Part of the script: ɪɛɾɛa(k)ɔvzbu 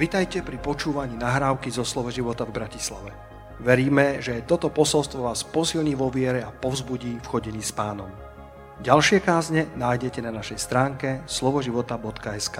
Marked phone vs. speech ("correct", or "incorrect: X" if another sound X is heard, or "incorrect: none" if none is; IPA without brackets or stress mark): incorrect: p